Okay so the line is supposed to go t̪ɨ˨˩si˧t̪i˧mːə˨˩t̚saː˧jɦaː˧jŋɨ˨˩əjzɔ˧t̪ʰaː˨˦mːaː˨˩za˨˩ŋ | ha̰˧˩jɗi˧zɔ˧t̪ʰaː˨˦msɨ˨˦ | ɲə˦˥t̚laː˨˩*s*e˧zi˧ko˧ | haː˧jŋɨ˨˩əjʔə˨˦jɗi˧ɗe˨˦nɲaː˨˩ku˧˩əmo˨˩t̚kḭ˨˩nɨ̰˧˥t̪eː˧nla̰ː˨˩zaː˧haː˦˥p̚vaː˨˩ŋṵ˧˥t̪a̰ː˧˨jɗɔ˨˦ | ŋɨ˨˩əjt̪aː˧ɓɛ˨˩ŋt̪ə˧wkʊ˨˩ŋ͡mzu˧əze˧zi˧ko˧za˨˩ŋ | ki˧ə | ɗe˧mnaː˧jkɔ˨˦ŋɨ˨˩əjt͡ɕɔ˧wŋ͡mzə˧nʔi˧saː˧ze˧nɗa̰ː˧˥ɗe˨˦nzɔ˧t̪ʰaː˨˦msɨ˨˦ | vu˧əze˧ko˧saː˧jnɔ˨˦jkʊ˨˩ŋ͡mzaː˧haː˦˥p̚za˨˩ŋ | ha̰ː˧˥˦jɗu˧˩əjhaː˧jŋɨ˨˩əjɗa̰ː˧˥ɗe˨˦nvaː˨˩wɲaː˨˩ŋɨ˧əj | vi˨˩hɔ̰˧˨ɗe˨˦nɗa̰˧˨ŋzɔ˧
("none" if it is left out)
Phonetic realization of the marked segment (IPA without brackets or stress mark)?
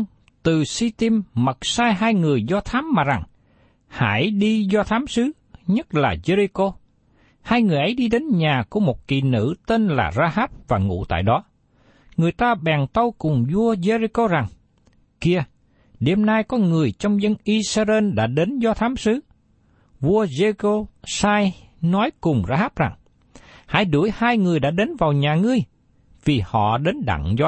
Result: z